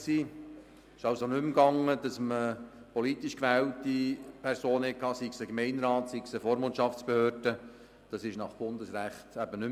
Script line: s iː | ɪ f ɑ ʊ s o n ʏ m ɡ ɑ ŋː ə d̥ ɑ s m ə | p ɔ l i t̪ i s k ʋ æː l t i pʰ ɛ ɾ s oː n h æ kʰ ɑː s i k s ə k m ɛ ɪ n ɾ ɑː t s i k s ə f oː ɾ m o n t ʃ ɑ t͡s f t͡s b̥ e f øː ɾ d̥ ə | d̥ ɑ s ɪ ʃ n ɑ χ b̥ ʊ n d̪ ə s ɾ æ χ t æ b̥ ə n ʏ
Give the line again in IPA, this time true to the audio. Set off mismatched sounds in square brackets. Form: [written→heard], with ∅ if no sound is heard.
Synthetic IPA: s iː | ɪ [f→ʃ] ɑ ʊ s o n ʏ m ɡ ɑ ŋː ə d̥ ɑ s m ə | p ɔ l i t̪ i [s→ʃ] k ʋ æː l t i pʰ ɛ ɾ s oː n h [æ→ɛ] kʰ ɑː s i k s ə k m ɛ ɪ n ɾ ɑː t s i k s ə f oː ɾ m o n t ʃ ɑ [t͡s→∅] f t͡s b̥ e [f→h] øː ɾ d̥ ə | d̥ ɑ s ɪ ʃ n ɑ χ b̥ ʊ n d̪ ə s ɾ æ χ t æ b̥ ə n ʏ